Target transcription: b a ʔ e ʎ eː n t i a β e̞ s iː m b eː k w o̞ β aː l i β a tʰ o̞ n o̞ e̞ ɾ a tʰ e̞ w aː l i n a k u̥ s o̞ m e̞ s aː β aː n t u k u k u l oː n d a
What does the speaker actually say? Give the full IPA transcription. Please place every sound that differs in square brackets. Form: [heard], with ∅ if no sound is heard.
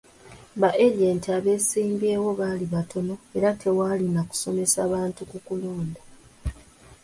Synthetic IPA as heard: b a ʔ e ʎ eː n t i a β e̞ s iː m b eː [∅] w o̞ β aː l i β a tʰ o̞ n o̞ e̞ ɾ a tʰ e̞ w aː l i n a k u̥ s o̞ m e̞ s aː β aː n t u k u k u l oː n d a

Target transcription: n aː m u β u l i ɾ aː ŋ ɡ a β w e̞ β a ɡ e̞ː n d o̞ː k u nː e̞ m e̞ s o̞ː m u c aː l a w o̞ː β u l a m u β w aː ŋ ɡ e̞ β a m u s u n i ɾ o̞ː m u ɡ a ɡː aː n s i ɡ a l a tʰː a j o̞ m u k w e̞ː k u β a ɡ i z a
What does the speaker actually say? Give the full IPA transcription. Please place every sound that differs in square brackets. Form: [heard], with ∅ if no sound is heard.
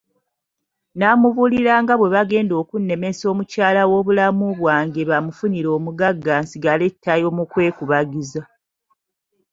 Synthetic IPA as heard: n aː m u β u l i ɾ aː ŋ ɡ a β w e̞ β a ɡ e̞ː n d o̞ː k u nː e̞ m e̞ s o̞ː m u c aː l a w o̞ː β u l a m u β w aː ŋ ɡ e̞ β a m u [f] u n i ɾ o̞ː m u ɡ a ɡː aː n s i ɡ a l [e] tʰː a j o̞ m u k w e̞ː k u β a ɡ i z a

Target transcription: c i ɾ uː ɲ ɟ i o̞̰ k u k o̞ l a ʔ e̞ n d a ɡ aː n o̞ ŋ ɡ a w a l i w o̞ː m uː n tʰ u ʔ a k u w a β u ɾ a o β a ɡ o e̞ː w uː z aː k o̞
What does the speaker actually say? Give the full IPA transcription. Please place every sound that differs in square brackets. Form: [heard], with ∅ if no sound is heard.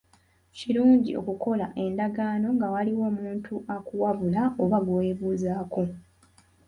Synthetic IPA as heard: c i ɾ uː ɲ ɟ i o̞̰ k u k o̞ l a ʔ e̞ n d a ɡ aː n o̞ ŋ ɡ a w a l i w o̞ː m uː n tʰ u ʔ a k u w a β u [l] a o β a ɡ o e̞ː [β] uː z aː k o̞

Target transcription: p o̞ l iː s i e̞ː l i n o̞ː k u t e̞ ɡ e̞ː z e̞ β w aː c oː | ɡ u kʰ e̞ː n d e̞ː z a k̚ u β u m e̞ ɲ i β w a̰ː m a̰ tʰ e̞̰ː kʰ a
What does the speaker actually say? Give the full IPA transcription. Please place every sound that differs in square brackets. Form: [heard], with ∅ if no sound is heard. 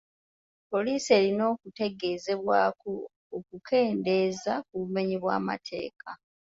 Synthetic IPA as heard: p o̞ l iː s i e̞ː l i n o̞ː k u t e̞ ɡ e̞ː z e̞ β w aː [k] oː | [k] u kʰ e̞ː n d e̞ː z a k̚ u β u m e̞ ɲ i β w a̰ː m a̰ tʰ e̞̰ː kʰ a

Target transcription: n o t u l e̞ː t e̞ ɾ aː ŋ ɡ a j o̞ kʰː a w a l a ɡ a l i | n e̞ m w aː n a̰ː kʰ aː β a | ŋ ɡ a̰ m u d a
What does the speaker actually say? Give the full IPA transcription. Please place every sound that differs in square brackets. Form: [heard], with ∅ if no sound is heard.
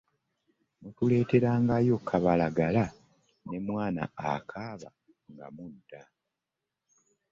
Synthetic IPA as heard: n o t u l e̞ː t e̞ ɾ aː ŋ ɡ a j o̞ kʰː a [β] a l a ɡ a l [a] | n e̞ m w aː n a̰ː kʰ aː β a | ŋ ɡ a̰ m u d a

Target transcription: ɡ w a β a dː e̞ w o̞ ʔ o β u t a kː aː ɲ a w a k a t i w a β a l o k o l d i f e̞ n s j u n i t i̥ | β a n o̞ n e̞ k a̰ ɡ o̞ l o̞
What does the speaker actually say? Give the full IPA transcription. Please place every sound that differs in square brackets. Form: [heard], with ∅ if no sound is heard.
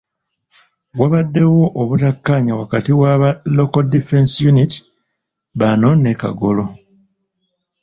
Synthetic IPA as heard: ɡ w a β a dː e̞ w o̞ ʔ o β u t a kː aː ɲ a w a k a t i w a β a l o k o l d i f e̞ n s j u n i t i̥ | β a n o̞ n e̞ k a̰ ɡ o̞ l o̞

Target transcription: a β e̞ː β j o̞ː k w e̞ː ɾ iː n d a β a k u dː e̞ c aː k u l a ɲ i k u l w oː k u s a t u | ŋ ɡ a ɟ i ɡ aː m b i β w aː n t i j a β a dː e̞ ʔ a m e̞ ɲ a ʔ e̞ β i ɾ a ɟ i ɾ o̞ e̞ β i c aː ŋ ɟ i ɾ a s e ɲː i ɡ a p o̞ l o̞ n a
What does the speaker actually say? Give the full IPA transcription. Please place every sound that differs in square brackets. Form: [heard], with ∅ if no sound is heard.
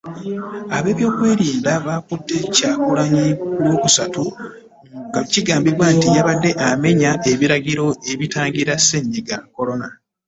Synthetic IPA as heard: a β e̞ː β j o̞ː k w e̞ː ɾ iː n d a β a k u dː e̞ c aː k u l a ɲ i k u l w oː k u s a t u | ŋ ɡ a [c] i ɡ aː m b i β w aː n t i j a β a dː e̞ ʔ a m e̞ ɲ a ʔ e̞ β i ɾ a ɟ i ɾ o̞ e̞ β i [t] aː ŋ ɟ i ɾ a s e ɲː i ɡ a [k] o̞ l o̞ n a

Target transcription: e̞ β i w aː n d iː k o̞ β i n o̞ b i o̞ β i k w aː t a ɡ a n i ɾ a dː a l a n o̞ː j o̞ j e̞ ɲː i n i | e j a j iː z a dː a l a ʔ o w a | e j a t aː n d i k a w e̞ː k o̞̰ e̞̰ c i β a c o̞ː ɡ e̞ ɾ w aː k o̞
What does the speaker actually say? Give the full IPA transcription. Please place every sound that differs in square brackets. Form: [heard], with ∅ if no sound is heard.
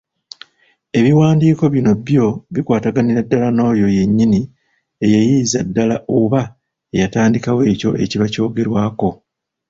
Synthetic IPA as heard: e̞ β i w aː n d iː k o̞ β i n o̞ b [j] o̞ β i k w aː t a ɡ a n i ɾ a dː a l a n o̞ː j o̞ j e̞ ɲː i n i | e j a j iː z a dː a l a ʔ o [β] a | e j a t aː n d i k a w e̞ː [c] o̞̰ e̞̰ c i β a c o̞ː ɡ e̞ ɾ w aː k o̞

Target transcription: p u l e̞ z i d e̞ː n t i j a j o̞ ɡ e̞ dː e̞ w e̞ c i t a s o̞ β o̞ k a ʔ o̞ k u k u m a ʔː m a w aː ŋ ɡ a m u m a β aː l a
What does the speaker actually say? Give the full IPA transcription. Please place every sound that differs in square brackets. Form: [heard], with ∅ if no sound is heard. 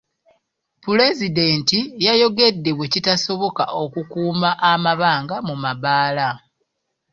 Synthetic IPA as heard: p u l e̞ z i d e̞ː n t i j a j o̞ ɡ e̞ dː e̞ w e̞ c i t a s o̞ β o̞ k a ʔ o̞ k u k [uː] m a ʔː m a [β] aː ŋ ɡ a m u m a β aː l a

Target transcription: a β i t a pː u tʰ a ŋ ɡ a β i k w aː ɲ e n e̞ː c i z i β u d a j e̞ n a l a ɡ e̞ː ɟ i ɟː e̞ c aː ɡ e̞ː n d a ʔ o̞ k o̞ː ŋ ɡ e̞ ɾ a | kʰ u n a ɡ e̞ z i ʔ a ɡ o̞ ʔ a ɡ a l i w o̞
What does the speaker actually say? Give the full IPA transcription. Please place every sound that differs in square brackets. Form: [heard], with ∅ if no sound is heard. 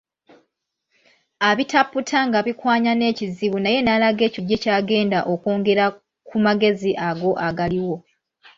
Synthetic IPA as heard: a β i t a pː u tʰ a ŋ ɡ a β i k w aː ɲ [a] n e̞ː c i z i β u [n] a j e̞ n a l a ɡ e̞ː [c] i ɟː e̞ c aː ɡ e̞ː n d a ʔ o̞ k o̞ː ŋ ɡ e̞ ɾ a | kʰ u [m] a ɡ e̞ z i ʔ a ɡ o̞ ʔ a ɡ a l i w o̞

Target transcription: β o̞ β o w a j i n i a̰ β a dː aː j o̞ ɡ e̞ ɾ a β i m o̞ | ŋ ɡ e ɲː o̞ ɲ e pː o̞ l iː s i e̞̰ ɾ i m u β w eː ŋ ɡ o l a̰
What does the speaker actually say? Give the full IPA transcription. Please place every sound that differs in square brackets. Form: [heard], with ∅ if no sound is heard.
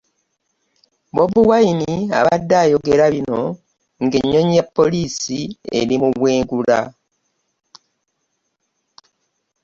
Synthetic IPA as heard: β o̞ β [u] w a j i n i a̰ β a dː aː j o̞ ɡ e̞ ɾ a β i [n] o̞ | ŋ ɡ e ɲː o̞ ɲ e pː o̞ l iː s i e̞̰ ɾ i m u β w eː ŋ ɡ [u] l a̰

